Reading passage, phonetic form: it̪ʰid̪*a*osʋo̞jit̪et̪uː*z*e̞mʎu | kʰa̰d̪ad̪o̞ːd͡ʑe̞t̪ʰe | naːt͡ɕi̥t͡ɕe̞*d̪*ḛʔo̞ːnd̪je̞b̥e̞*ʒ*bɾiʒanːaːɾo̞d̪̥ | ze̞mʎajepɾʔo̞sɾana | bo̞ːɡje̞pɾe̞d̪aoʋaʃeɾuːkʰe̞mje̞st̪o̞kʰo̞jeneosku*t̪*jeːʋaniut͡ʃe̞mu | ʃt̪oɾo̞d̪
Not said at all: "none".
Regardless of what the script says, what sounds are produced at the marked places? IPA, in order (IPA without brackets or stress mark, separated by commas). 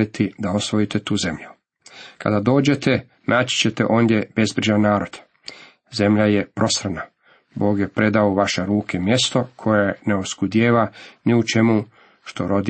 a, z, t̪, z, d̪